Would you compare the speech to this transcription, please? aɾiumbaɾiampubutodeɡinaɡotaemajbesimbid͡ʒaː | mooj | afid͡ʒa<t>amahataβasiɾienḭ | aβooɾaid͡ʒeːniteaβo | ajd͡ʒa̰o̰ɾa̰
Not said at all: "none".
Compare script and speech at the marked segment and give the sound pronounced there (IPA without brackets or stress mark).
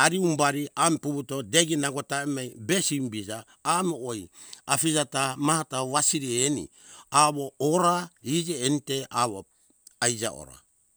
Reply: t